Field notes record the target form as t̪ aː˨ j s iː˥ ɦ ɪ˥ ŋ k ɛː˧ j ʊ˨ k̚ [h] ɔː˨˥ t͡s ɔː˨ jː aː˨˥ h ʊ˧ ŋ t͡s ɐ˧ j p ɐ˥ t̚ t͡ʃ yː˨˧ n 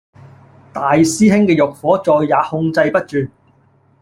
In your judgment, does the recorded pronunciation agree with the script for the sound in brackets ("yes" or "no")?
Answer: no